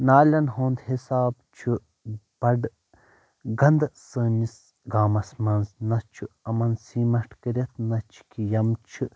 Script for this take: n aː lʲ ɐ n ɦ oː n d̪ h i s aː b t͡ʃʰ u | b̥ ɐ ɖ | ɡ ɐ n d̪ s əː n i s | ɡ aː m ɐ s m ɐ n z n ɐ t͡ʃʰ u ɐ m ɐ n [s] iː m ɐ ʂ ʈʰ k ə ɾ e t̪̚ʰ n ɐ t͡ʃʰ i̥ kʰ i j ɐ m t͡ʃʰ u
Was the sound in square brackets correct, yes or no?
yes